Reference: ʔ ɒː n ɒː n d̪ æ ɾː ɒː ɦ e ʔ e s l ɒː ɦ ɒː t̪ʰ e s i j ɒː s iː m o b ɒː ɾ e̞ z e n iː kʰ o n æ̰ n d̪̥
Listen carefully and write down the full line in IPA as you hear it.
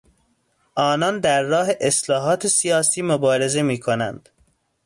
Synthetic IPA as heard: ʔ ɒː n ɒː n d̪ æ ɾː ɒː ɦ e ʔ e s l ɒː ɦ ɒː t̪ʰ e s i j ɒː s iː m o b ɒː ɾ e̞ z e m iː kʰ o n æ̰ n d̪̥